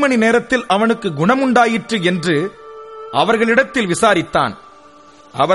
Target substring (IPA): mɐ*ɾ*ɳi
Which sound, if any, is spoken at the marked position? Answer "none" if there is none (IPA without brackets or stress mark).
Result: none